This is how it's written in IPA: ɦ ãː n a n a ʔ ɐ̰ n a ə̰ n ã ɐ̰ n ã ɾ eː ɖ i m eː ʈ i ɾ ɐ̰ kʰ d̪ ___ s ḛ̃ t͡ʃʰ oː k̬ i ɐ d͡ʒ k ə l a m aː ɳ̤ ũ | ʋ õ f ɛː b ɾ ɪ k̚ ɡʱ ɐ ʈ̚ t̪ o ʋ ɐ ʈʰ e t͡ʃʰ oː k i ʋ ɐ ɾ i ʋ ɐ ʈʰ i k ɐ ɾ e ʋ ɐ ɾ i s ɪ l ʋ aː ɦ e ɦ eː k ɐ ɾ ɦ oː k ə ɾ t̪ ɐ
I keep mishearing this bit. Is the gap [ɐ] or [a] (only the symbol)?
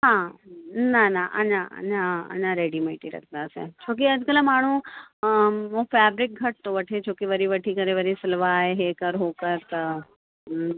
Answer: a